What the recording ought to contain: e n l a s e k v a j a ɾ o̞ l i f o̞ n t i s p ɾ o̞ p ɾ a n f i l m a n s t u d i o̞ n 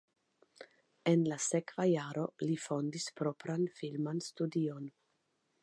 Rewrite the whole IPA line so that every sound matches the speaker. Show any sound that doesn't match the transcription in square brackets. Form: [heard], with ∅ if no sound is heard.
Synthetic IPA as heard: e n l a s e k v a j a ɾ o̞ l i f o̞ n [d] i s p ɾ o̞ p ɾ a n f i l m a n s t u d i o̞ n